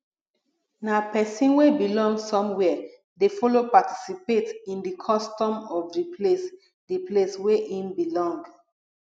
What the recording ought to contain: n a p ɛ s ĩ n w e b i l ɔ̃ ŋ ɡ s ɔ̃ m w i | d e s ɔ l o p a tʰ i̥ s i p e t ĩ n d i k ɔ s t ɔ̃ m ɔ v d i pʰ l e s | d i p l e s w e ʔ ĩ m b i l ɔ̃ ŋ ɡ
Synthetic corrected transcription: n a p ɛ s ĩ n w e b i l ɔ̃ ŋ ɡ s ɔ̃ m w ɛ | d e f ɔ l o p a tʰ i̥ s i p e t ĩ n d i kʰ ɔ s t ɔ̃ m ɔ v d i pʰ l e s | d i p l e s w e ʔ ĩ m b i l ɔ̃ ŋ ɡ